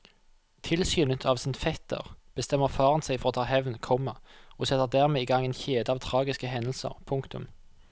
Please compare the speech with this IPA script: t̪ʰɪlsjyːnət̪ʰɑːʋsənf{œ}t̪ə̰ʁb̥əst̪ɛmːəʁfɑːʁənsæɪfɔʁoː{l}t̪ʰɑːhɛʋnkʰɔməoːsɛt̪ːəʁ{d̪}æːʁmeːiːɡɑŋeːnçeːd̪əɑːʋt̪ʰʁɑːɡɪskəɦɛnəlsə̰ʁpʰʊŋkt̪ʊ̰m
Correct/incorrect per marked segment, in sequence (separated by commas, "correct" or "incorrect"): incorrect, incorrect, correct